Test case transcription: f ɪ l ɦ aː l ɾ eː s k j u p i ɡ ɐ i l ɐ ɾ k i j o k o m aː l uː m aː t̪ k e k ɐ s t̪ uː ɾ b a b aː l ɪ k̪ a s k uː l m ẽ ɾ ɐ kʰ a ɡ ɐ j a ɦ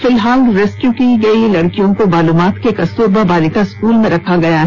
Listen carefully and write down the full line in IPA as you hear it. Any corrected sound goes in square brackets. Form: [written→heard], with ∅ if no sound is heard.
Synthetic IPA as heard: f ɪ l ɦ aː l ɾ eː s k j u [p→k] i ɡ ɐ i l ɐ [ɾ→ɽ] k i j [o→õ] k o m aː l uː m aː t̪ k e k ɐ s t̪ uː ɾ b a b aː l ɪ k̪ a s k uː l m ẽ ɾ ɐ kʰ a ɡ ɐ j a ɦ